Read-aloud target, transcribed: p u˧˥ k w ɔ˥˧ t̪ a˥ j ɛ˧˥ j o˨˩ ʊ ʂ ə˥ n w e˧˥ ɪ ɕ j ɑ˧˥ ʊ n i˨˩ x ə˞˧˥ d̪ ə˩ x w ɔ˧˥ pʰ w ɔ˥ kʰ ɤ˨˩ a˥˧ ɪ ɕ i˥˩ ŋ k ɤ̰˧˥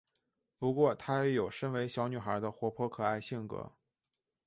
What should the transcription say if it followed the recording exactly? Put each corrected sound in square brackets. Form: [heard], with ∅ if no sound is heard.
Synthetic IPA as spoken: p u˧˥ k w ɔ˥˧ [t̪ʰ] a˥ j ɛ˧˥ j o˨˩ ʊ ʂ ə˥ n w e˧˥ ɪ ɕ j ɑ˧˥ ʊ n [y˨˩] x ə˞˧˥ d̪ [ə˧] x w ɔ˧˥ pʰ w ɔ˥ kʰ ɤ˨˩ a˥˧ ɪ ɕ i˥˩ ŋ k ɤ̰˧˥